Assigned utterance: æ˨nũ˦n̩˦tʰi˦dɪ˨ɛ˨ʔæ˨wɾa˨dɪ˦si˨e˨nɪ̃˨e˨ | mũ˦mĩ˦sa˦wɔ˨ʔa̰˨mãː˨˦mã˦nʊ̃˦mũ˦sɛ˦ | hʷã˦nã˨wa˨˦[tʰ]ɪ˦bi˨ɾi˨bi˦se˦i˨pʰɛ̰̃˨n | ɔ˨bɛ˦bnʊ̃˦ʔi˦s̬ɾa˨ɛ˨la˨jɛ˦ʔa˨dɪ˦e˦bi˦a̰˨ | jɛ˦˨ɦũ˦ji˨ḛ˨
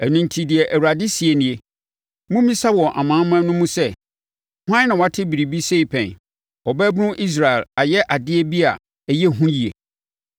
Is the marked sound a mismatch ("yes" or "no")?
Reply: no